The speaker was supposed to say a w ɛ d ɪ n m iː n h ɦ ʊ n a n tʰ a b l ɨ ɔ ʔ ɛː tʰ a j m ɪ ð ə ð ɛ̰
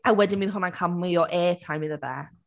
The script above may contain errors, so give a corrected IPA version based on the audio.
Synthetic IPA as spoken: a w ɛ d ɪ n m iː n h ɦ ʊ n a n kʰ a m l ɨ ɔ ʔ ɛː tʰ a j m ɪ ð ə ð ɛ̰